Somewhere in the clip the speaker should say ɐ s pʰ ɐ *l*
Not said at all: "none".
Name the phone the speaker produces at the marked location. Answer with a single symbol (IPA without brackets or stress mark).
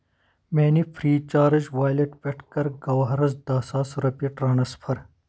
ɾ